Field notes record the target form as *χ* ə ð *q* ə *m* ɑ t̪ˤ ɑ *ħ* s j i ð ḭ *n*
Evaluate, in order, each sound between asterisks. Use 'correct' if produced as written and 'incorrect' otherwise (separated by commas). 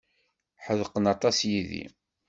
incorrect, correct, incorrect, incorrect, incorrect